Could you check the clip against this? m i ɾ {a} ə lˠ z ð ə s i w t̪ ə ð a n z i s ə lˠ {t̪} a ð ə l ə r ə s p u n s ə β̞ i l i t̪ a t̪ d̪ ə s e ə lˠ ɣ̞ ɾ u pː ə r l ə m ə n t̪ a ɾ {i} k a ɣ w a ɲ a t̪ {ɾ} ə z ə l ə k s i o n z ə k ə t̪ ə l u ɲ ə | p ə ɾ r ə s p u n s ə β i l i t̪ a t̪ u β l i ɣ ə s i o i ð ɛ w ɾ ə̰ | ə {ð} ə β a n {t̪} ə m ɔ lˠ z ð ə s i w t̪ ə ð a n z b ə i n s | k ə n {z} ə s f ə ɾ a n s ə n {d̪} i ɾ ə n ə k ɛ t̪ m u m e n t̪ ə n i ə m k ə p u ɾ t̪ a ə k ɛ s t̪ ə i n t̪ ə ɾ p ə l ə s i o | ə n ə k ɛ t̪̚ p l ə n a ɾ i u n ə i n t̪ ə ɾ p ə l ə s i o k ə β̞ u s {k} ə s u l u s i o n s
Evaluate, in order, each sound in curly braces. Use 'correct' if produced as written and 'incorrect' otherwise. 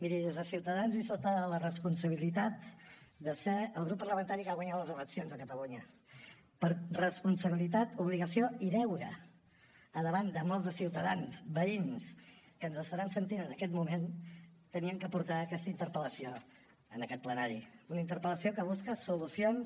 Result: incorrect, correct, correct, incorrect, correct, incorrect, correct, incorrect, correct

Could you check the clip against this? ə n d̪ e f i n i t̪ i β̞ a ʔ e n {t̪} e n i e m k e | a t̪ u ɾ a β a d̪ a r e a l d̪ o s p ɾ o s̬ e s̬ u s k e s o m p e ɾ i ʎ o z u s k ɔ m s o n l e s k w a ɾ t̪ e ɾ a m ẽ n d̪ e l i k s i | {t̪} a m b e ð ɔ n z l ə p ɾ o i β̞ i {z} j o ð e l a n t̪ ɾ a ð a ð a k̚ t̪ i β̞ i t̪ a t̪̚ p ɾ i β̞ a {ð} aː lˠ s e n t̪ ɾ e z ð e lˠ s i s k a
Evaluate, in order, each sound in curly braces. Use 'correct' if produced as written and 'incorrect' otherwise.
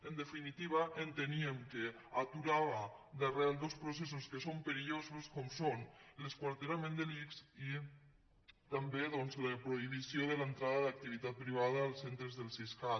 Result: correct, correct, incorrect, correct

